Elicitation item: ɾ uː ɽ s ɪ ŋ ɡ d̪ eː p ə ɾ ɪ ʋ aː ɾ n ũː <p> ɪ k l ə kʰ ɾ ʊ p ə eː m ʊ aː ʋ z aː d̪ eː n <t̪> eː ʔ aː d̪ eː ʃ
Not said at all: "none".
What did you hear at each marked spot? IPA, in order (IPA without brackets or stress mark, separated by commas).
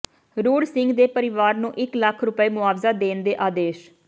ʔ, d̪